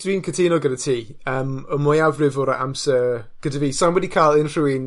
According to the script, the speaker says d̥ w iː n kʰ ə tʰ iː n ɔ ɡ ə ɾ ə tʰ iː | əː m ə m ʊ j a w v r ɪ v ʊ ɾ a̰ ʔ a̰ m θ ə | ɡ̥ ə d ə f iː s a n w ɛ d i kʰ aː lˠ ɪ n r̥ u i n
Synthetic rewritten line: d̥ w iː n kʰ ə tʰ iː n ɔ ɡ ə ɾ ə tʰ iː | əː m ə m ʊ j a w v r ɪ v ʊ ɾ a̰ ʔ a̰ m s ə | ɡ̥ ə d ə v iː s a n w ɛ d i kʰ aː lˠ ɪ n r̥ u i n